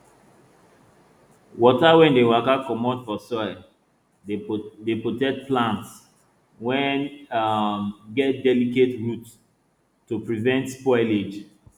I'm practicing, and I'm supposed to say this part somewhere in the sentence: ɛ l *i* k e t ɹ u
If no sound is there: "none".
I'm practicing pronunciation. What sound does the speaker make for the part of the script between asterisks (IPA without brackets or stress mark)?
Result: i